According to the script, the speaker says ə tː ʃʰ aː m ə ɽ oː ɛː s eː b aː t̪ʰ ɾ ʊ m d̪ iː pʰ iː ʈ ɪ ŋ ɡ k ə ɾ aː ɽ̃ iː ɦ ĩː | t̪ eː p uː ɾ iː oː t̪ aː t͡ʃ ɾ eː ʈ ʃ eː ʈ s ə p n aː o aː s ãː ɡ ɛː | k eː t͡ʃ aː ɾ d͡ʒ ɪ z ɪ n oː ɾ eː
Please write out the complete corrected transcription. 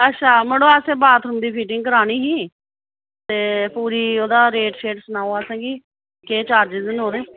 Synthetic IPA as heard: ə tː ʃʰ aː m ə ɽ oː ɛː s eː b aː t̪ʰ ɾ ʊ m d̪ iː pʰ iː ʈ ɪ ŋ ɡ k ə ɾ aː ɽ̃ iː ɦ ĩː | t̪ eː p uː ɾ iː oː d̪ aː ɾ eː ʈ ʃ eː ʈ s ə n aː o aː s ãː ɡ iː | k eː t͡ʃ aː ɾ d͡ʒ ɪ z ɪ n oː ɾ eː

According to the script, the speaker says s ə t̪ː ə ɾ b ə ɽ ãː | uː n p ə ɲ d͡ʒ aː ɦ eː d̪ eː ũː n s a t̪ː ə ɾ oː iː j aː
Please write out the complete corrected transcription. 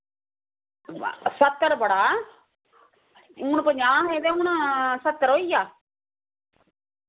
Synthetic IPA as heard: s ə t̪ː ə ɾ b ə ɽ aː | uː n p ə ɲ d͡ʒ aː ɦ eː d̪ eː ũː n s ə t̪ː ə ɾ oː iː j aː

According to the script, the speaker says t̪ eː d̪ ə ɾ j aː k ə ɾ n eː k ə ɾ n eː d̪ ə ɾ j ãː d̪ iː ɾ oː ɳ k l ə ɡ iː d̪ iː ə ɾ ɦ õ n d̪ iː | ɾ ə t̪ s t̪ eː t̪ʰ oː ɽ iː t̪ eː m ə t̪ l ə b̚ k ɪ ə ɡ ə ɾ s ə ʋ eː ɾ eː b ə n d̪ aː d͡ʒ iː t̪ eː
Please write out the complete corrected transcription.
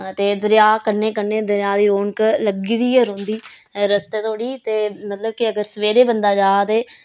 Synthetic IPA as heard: t̪ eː d̪ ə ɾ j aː k ə ɾ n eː k ə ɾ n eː d̪ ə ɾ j aː d̪ iː ɾ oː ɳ k l ə ɡ iː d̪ iː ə ɾ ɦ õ n d̪ iː | ɾ ə s t̪ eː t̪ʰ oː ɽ iː t̪ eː m ə t̪ l ə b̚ k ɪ ə ɡ ə ɾ s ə ʋ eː ɾ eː b ə n d̪ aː d͡ʒ aː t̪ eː

